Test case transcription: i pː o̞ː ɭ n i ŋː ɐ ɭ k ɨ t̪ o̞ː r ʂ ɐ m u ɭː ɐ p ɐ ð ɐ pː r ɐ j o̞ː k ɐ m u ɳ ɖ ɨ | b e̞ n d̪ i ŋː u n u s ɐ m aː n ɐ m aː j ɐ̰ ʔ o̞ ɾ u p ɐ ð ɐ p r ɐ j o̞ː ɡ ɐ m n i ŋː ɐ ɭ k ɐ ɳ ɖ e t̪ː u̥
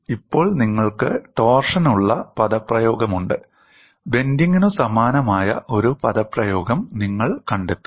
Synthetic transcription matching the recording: i pː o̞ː ɭ n i ŋː ɐ ɭ k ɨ t̪ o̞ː r ʂ ɐ n u ɭː ɐ p ɐ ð ɐ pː r ɐ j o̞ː ɡ ɐ m u ɳ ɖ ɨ | b e̞ n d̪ i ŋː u n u s ɐ m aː n ɐ m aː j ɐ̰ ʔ o̞ ɾ u p ɐ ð ɐ p r ɐ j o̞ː ɡ ɐ m n i ŋː ɐ ɭ k ɐ ɳ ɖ e t̪ː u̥